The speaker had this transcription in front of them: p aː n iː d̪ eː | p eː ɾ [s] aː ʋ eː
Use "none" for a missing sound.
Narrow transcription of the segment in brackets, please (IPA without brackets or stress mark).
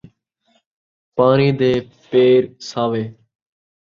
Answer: s